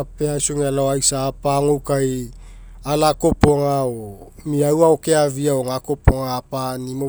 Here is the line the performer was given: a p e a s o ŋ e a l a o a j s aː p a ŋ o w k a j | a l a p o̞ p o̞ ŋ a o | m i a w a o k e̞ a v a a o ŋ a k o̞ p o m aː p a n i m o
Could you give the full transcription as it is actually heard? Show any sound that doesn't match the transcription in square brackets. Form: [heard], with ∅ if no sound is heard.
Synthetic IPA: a p e a s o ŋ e a l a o a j s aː p a ŋ o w k a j | a l a [k] o̞ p o̞ ŋ a o | m i a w a o k e̞ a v [i] a o ŋ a k o̞ p o [ŋ] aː p a n i m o